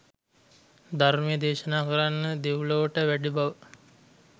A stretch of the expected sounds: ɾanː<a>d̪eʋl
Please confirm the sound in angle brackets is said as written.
no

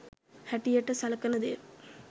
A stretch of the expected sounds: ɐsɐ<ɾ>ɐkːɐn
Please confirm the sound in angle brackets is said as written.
no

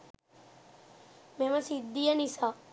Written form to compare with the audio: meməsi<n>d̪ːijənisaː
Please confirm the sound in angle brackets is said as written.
no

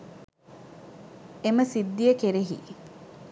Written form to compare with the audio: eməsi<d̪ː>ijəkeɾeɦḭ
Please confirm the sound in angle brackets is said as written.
yes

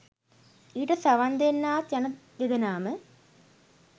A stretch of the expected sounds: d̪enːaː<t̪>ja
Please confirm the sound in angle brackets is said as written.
yes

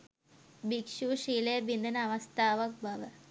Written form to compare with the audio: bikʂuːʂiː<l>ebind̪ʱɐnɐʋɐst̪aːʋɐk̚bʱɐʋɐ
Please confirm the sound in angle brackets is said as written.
yes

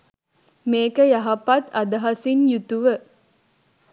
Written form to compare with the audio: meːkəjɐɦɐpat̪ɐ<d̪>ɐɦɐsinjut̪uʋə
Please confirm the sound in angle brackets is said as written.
yes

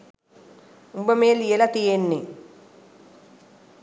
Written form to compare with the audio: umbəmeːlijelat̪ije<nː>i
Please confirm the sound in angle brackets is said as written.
yes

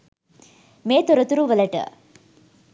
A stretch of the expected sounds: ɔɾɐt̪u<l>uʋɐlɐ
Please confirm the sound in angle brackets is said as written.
no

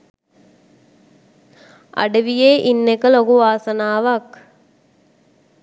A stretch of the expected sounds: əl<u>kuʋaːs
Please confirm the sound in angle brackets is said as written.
no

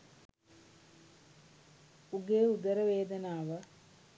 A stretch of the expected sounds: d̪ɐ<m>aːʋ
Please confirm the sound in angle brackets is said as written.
no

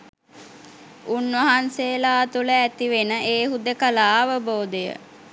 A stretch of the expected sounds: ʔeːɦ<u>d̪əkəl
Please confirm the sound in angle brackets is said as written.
yes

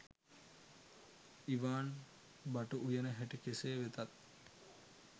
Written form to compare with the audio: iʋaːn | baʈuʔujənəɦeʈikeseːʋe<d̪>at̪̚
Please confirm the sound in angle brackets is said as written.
no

